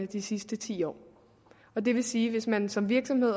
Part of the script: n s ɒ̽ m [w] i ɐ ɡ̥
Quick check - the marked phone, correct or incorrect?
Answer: incorrect